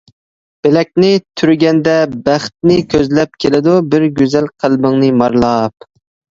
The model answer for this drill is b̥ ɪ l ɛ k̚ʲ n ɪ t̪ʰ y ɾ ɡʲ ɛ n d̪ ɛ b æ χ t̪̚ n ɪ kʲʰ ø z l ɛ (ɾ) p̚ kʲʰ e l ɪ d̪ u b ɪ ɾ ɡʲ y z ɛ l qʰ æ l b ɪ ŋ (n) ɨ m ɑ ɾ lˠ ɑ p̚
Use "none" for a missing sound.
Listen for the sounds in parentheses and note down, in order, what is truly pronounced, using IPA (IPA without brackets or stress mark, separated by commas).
none, n